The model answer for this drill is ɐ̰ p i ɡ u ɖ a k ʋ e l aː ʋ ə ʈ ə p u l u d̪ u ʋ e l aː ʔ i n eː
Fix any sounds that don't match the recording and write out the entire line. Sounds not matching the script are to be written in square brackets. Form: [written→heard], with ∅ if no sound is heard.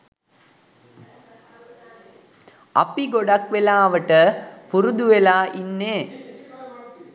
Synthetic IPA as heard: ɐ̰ p i ɡ [u→o] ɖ a k ʋ e l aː ʋ ə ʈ ə p u [l→ɾ] u d̪ u ʋ e l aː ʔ i [n→nː] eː